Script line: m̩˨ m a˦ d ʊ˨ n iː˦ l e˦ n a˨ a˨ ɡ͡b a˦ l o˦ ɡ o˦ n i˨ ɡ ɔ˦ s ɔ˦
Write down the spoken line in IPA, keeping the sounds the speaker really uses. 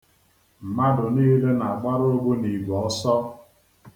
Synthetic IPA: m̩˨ m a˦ d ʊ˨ n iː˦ l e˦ n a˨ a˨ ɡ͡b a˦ ɾ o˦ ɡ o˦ n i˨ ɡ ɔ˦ s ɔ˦